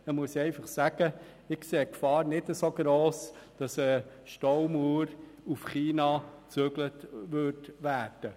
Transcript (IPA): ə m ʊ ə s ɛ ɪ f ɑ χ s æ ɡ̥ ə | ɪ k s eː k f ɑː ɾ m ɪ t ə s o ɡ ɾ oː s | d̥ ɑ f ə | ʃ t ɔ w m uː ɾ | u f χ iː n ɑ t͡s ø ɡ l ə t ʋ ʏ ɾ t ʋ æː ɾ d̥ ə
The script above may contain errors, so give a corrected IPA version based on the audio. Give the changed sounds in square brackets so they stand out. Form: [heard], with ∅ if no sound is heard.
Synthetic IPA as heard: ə m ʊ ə s ɛ ɪ f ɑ χ s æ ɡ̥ ə | ɪ k s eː k f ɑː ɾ [n] ɪ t ə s o ɡ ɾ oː s | d̥ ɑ [s] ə | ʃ t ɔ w m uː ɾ | u f χ iː n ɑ t͡s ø ɡ l ə t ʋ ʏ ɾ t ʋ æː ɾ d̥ ə